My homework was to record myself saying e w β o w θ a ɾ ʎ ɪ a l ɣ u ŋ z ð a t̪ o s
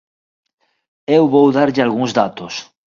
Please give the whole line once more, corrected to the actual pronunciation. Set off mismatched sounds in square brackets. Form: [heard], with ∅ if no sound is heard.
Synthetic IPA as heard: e w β o w [ð] a ɾ ʎ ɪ a l ɣ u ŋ z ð a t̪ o s